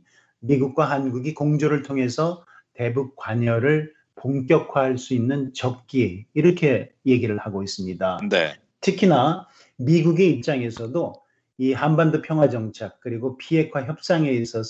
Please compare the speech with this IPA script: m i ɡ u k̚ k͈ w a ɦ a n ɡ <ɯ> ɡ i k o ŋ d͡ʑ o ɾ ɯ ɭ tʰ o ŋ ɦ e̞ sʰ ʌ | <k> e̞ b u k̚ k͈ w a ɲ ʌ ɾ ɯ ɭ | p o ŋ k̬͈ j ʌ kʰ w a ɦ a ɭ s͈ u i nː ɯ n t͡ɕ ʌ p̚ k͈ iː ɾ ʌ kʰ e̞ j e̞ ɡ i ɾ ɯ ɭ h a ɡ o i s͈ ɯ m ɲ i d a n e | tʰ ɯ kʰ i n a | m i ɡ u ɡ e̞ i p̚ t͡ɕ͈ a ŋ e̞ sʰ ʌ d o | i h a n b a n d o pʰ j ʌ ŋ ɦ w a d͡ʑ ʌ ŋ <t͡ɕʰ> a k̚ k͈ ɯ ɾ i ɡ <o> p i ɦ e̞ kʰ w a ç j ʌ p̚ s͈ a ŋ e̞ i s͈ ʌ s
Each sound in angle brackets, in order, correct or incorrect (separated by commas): incorrect, incorrect, correct, correct